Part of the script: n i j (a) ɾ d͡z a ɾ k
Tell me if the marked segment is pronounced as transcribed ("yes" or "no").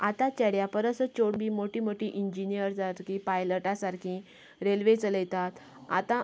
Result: no